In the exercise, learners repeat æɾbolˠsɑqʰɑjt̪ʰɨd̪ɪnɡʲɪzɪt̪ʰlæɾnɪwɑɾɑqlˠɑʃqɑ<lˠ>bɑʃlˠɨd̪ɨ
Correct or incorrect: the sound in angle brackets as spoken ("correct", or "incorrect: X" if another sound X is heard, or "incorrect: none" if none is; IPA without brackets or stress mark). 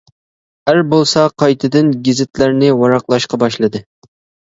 incorrect: none